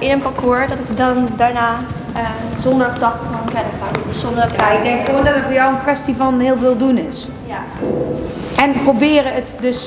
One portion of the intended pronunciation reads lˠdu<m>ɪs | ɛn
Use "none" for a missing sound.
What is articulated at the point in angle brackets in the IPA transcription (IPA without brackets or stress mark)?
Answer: n